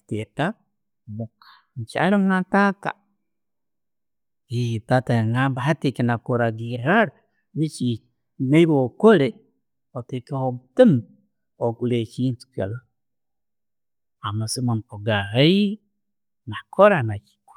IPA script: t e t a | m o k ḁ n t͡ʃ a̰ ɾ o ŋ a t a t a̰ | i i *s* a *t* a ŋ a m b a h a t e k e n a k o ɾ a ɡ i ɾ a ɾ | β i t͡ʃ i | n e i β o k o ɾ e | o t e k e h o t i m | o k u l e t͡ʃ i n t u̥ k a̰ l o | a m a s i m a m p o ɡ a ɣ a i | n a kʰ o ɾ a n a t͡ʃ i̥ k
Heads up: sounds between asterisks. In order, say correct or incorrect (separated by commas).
incorrect, correct